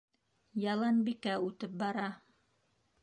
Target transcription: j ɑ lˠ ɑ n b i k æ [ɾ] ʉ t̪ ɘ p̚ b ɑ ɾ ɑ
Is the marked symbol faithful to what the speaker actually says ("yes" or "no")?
no